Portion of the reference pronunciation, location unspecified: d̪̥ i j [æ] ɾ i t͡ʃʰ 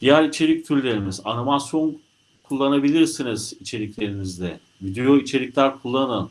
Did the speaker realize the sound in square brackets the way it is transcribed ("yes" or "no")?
yes